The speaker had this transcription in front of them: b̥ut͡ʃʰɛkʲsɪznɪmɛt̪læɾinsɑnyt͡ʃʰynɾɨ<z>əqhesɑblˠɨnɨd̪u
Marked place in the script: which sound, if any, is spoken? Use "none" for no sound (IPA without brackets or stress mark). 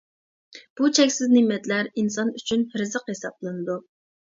z